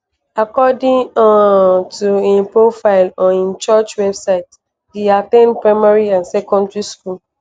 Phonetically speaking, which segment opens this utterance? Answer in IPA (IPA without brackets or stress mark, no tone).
a